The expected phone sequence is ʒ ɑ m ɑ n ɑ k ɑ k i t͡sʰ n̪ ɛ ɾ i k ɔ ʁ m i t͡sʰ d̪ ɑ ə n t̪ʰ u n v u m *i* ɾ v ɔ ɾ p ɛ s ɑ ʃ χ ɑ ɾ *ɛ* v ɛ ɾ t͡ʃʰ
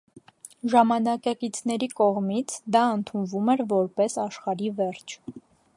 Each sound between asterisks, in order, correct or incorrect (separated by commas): incorrect, incorrect